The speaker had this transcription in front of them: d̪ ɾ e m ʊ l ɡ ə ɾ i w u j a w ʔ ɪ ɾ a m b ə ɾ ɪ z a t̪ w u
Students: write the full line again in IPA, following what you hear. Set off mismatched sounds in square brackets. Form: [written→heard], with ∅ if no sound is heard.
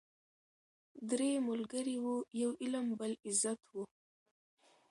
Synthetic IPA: d̪ ɾ e m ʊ l ɡ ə ɾ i w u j a w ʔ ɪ [ɾ→l] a m b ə [ɾ→l] ɪ z a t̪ w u